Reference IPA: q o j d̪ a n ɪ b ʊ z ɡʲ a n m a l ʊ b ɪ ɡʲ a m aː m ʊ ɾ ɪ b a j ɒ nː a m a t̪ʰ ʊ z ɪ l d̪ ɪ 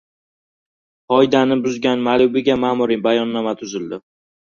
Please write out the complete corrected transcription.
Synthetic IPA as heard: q ɒ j d̪ a n ɪ b ʊ z ɡʲ a n m a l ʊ b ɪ ɡʲ a m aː m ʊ ɾ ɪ b a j ɒ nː a m a t̪ʰ ʊ z ɪ l d̪ ɪ